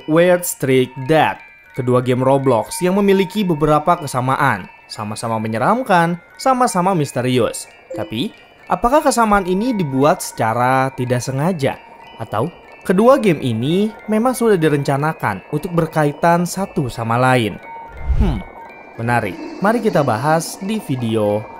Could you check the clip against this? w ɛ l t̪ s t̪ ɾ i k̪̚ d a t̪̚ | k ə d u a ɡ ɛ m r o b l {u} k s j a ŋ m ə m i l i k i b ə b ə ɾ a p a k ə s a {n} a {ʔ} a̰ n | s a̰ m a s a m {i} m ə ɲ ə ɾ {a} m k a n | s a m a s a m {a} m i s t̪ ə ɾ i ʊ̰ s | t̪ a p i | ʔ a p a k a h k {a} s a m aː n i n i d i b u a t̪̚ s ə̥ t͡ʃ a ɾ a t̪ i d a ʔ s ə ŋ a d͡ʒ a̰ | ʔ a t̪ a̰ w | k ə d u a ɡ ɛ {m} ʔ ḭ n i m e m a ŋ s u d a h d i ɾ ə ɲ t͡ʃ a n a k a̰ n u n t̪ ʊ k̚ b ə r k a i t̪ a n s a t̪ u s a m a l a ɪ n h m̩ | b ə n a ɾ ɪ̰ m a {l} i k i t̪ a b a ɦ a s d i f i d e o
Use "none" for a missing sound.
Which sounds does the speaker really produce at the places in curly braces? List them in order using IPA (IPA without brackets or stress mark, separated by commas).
ɔ, m, ʔ, a, a, a, ə, m, ɾ